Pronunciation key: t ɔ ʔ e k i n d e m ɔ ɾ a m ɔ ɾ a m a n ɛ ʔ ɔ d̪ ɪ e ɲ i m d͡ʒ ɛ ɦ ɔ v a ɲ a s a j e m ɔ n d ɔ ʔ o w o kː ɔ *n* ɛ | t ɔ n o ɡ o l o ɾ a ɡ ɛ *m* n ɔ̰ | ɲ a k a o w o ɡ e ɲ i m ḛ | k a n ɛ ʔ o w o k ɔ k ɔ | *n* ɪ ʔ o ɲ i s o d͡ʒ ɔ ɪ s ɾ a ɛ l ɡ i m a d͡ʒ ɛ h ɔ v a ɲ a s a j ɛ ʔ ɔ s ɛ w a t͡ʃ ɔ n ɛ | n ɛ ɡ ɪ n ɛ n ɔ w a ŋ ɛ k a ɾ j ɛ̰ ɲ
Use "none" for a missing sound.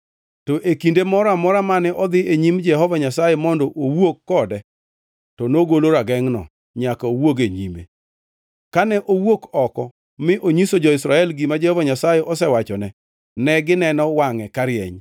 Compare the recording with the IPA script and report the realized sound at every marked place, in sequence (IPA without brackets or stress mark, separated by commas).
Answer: d, ŋ, m